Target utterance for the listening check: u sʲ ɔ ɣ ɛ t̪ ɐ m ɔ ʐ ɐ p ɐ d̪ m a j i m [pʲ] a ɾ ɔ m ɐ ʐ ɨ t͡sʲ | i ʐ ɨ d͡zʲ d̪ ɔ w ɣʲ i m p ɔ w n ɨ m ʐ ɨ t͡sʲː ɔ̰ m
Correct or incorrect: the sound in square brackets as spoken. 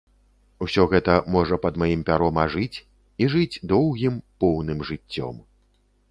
correct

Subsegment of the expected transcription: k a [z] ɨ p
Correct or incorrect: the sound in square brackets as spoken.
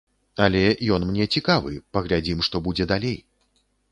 incorrect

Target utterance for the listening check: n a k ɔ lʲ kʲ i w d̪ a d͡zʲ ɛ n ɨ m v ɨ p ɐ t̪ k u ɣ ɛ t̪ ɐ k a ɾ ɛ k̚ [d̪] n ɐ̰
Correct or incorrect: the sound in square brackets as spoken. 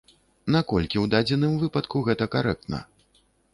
incorrect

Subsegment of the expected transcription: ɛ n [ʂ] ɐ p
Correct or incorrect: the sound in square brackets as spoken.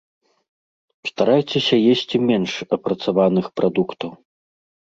correct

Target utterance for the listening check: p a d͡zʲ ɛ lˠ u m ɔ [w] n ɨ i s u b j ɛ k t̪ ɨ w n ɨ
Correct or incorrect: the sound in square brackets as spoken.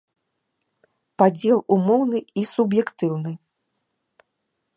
correct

